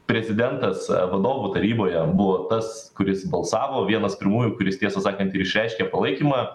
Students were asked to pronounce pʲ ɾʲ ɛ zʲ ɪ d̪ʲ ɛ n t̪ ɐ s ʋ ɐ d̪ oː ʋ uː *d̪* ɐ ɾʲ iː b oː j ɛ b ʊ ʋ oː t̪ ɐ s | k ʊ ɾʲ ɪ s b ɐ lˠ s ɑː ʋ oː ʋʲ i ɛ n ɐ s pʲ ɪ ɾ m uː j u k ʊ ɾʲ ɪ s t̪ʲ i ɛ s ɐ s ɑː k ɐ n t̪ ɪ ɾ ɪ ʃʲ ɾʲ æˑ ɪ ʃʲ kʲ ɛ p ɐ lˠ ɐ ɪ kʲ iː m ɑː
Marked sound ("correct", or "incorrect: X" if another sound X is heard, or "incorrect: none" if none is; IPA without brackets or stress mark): incorrect: t̪